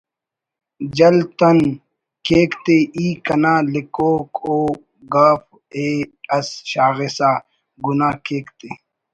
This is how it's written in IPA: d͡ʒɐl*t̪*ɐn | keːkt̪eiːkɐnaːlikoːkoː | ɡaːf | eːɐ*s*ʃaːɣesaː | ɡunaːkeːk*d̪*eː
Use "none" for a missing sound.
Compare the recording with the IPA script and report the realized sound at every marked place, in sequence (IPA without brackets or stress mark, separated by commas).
t̪, s, t̪